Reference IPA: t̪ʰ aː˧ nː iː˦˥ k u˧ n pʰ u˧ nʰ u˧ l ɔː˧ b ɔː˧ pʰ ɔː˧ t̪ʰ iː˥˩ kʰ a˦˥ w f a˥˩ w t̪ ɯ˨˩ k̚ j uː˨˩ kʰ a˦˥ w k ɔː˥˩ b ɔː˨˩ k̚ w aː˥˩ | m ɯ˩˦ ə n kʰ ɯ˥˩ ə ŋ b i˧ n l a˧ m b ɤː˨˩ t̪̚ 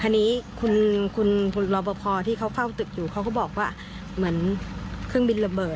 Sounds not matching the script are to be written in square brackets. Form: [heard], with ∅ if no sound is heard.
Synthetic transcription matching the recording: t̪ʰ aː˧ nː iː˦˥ [kʰ] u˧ n [kʰ] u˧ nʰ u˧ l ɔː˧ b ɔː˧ pʰ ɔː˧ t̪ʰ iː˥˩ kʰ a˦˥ w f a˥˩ w t̪ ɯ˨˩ k̚ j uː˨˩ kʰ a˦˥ w k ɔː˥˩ b ɔː˨˩ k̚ w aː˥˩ | m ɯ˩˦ ə n kʰ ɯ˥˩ ə ŋ b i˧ n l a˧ m b ɤː˨˩ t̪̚